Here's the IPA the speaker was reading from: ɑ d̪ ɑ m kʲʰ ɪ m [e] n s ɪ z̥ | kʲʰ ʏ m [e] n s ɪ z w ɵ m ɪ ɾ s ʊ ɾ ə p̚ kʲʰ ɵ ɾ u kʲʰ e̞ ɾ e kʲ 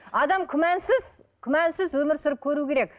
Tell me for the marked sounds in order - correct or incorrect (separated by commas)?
incorrect, incorrect